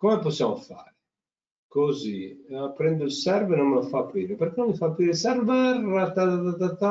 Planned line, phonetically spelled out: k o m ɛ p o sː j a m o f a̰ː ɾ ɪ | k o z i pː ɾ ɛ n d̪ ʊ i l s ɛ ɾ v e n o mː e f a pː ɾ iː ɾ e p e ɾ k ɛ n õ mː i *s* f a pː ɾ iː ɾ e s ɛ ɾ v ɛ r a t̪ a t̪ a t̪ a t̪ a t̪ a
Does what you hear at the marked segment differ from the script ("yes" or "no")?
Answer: yes